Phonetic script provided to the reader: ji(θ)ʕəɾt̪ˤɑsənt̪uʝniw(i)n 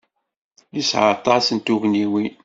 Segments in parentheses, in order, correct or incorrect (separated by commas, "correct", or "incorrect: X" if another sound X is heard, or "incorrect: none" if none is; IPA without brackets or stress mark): incorrect: s, correct